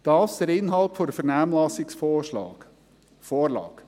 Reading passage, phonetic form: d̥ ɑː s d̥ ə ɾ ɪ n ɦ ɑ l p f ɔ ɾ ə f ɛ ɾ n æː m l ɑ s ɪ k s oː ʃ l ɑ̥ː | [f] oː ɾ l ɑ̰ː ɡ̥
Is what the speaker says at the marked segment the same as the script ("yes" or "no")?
yes